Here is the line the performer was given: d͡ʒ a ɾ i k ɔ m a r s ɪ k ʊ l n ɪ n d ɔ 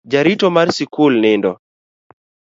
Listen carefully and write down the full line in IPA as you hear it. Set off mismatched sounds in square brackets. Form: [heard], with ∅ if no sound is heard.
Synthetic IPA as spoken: d͡ʒ a ɾ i [t] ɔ m a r s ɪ k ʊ l n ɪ n d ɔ